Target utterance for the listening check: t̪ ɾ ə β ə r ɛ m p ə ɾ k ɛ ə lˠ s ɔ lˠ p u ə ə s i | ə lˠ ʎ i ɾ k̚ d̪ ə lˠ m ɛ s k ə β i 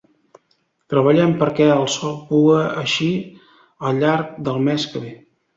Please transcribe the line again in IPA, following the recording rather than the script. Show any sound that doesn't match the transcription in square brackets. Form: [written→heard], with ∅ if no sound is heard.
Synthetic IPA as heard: t̪ ɾ ə β ə [r→ʎ] ɛ m p ə ɾ k ɛ ə lˠ s ɔ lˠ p u ə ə [s→ʃ] i | ə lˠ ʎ [i→a] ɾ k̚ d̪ ə lˠ m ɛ s k ə β [i→e]